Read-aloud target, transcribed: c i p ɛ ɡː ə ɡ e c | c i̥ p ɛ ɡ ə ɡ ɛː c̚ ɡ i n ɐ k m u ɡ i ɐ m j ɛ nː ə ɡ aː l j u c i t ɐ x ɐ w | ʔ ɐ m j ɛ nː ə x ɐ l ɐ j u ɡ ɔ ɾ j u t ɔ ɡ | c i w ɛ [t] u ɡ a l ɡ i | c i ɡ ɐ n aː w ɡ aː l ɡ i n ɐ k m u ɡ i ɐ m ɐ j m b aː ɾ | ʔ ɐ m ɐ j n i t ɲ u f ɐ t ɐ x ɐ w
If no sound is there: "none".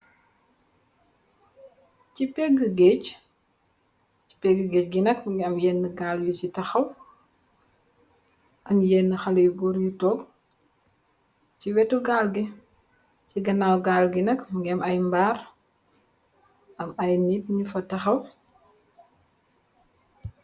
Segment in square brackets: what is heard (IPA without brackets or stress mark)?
t